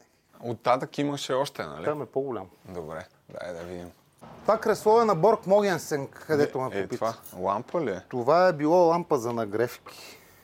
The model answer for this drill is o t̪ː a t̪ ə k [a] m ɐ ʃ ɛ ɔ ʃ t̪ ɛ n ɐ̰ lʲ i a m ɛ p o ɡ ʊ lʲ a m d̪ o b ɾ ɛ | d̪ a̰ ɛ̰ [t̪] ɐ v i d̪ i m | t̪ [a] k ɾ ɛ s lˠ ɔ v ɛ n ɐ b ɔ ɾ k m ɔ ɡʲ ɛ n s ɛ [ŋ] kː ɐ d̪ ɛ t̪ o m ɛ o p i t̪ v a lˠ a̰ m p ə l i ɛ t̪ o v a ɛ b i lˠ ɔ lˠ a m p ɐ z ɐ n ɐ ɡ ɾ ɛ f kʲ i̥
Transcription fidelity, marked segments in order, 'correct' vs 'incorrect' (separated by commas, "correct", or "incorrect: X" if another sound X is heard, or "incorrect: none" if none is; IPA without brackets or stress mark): incorrect: i, incorrect: d̪, correct, correct